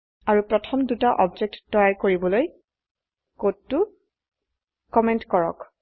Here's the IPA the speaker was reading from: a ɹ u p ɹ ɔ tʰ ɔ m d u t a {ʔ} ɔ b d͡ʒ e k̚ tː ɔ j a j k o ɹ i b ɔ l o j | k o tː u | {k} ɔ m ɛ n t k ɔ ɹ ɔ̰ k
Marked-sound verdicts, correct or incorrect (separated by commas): correct, correct